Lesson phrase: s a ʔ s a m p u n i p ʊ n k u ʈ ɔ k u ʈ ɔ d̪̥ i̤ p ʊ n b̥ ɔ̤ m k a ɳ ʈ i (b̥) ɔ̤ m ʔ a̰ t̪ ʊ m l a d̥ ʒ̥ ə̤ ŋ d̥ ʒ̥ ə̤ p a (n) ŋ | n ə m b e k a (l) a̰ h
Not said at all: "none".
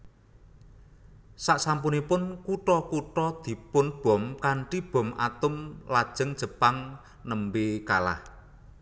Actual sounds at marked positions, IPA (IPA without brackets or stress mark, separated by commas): b̥, none, l